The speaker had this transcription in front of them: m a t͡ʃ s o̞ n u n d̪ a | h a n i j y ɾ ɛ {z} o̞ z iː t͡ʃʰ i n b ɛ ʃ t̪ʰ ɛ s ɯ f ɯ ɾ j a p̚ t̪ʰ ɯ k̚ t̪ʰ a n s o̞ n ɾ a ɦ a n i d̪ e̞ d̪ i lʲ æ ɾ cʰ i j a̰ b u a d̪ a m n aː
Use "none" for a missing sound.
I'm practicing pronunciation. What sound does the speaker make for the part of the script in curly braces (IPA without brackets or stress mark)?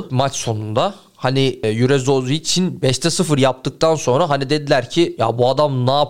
z